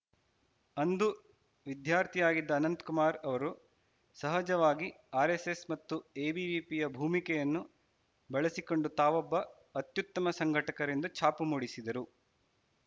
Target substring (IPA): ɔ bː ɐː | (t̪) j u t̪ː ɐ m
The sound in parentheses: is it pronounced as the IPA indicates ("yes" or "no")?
yes